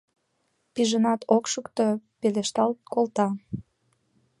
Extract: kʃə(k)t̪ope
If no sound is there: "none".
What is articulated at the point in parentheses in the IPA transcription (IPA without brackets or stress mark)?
k